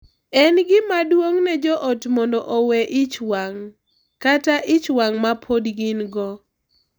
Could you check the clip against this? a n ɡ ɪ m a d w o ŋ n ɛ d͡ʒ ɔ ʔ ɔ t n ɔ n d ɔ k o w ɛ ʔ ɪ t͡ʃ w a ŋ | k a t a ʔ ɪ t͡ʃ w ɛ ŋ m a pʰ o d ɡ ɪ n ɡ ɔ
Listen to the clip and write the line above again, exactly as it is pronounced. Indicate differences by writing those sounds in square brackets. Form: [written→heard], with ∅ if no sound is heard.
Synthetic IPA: [a→ɛ] n ɡ ɪ m a d w o ŋ n ɛ d͡ʒ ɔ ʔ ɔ t [n→m] ɔ n d ɔ [k→ʔ] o w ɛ ʔ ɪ t͡ʃ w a ŋ | k a t a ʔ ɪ t͡ʃ w [ɛ→a] ŋ m a pʰ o d ɡ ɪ n ɡ ɔ